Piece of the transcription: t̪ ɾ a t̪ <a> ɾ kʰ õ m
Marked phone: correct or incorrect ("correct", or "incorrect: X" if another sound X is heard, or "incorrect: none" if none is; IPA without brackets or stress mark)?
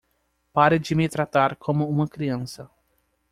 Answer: correct